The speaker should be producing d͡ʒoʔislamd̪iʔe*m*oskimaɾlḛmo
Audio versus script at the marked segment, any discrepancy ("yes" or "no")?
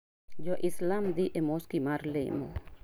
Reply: no